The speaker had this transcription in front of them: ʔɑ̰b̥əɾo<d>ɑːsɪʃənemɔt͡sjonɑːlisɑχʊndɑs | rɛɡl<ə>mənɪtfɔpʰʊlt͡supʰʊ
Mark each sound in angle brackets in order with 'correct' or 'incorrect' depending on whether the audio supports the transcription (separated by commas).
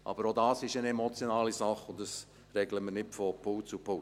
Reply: correct, correct